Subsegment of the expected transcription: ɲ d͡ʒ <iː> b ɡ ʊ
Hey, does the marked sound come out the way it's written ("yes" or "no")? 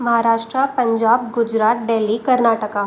no